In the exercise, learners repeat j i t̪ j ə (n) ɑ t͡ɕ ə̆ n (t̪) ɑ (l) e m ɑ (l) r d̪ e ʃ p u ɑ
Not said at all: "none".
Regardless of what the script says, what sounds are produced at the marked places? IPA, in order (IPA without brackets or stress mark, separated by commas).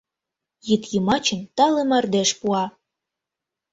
m, t̪, l, none